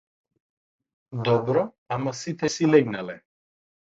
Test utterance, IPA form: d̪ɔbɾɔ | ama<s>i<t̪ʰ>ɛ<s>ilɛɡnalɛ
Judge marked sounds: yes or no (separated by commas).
yes, yes, yes